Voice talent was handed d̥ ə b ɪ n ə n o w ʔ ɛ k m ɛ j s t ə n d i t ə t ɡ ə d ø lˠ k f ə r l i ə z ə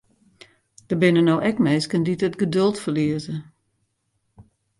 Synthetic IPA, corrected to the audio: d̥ ə b ɪ n ə n o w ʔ ɛ k m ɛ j s k ə n d i t ə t ɡ ə d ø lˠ t f ə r l i ə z ə